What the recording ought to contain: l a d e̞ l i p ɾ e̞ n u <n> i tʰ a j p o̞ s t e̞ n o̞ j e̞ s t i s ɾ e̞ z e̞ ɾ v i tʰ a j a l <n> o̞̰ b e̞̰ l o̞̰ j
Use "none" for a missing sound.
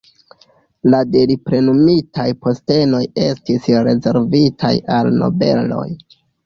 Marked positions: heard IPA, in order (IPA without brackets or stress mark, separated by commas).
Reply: m, n